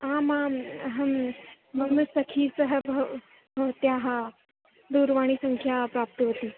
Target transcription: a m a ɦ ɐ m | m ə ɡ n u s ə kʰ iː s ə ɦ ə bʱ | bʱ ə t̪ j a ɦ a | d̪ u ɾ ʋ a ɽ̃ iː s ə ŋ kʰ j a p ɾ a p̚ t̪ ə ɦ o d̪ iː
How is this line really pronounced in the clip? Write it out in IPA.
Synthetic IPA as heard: a m a ɦ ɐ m | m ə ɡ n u s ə kʰ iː s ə ɦ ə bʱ | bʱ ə t̪ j a ɦ a | d̪ u ɾ ʋ a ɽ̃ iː s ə ŋ kʰ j a p ɾ a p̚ t̪ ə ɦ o t̪ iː